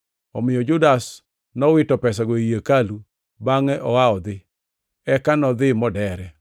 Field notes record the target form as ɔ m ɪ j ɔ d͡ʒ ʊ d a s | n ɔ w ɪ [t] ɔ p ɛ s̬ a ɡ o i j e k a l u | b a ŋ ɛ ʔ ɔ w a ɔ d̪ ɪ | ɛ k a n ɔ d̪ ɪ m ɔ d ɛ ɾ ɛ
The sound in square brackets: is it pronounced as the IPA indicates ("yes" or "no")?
yes